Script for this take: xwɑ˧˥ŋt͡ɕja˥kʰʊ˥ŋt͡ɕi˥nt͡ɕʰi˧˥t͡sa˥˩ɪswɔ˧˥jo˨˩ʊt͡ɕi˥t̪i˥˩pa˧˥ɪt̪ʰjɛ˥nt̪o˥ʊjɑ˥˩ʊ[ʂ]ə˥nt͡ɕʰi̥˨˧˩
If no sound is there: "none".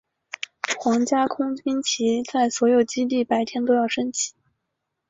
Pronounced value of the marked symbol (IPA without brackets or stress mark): ʂ